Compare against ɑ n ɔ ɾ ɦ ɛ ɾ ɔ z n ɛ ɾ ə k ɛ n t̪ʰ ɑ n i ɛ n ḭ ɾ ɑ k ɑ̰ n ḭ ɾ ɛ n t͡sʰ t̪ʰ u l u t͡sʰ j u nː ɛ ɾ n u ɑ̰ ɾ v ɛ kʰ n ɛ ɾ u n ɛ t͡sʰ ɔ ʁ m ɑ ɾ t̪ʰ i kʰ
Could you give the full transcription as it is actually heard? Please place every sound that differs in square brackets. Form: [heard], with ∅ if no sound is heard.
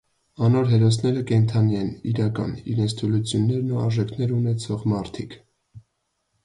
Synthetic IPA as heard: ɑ n ɔ ɾ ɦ ɛ ɾ ɔ [s] n ɛ ɾ ə k ɛ n t̪ʰ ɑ n i ɛ n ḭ ɾ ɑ k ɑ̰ n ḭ ɾ ɛ n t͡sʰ t̪ʰ u l u t͡sʰ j u nː ɛ ɾ n u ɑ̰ ɾ [ʒ] ɛ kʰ n ɛ ɾ u n ɛ t͡sʰ ɔ ʁ m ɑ ɾ t̪ʰ i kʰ